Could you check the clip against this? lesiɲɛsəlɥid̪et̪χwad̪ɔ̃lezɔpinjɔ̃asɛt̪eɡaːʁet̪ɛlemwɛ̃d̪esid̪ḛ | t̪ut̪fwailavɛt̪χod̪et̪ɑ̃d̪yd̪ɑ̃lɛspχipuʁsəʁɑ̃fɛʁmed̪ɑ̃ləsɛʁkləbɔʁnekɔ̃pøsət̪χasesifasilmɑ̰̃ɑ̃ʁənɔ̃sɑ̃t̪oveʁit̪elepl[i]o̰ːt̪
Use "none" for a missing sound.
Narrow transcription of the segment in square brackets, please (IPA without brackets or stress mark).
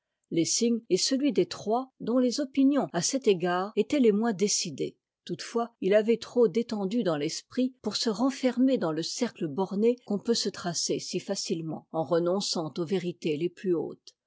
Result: y